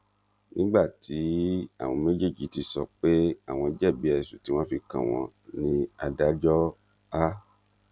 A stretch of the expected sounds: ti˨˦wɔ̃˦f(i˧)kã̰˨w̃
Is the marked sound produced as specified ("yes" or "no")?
yes